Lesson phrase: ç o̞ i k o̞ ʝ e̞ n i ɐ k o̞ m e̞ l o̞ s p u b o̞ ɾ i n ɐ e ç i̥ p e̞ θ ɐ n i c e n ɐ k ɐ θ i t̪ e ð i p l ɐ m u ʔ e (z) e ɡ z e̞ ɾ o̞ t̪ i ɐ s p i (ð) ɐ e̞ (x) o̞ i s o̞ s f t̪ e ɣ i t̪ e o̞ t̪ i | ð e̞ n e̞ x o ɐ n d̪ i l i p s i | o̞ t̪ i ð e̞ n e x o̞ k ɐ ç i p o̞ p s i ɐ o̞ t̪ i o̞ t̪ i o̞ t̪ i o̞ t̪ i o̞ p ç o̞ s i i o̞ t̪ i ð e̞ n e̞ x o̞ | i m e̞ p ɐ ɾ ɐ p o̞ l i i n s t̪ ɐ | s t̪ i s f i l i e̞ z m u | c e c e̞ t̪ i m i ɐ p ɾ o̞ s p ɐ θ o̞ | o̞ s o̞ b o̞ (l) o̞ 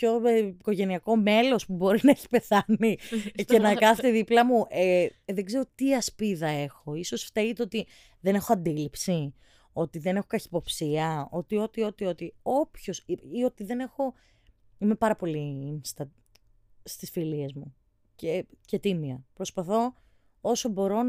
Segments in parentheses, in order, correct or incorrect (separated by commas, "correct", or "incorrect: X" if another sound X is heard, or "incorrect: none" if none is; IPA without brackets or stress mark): incorrect: ð, correct, correct, incorrect: ɾ